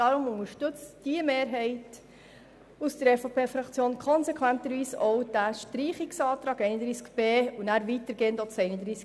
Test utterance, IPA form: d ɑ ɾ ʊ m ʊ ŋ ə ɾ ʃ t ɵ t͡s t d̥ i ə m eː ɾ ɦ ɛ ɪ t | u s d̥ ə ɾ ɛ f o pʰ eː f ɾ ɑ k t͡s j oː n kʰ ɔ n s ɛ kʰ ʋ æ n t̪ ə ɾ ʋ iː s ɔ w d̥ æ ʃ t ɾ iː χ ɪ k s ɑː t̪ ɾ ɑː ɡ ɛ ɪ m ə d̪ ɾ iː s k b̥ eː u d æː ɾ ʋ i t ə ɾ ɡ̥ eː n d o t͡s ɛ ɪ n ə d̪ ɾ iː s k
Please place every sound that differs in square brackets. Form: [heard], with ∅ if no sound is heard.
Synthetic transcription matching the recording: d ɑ ɾ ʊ m ʊ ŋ ə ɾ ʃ t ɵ t͡s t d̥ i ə m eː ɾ ɦ ɛ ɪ t | u s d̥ ə ɾ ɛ f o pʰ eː f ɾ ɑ k t͡s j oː n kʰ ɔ n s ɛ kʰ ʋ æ n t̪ ə ɾ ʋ iː s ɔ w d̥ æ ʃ t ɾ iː χ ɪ k s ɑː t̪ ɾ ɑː ɡ ɛ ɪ [n] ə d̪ ɾ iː s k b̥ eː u [n] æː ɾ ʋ i t ə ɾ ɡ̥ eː n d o t͡s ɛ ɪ n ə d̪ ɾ iː s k